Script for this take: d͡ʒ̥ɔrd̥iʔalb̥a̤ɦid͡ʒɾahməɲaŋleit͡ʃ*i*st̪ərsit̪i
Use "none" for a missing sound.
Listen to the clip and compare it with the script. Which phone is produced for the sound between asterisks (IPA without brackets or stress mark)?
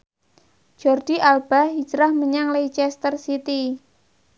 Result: ɛ